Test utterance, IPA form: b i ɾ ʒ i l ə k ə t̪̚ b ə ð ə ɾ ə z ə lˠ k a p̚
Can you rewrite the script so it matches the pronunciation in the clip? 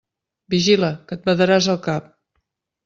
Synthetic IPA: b i ʒ i l ə k ə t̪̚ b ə ð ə ɾ a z ə lˠ k a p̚